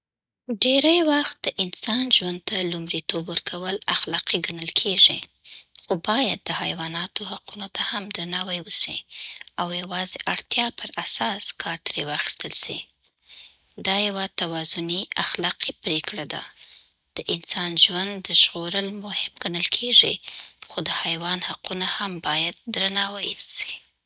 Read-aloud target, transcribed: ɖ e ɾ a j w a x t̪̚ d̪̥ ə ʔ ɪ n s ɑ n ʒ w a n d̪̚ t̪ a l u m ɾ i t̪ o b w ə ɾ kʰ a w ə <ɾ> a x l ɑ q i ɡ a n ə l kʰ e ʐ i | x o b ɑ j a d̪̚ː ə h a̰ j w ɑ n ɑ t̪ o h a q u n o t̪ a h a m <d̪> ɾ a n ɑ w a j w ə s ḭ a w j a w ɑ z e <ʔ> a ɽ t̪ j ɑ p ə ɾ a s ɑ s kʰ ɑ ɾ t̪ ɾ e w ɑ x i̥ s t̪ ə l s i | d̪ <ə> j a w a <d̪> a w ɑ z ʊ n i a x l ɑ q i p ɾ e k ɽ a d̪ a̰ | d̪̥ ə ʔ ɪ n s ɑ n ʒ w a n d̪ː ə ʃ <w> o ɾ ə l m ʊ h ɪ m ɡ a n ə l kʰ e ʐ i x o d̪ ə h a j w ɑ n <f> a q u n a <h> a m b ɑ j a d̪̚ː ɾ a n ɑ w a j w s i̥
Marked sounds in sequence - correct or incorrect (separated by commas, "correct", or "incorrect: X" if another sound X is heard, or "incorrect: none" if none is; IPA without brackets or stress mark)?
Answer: incorrect: l, correct, correct, incorrect: ɑ, incorrect: t̪, incorrect: ɣ, incorrect: h, correct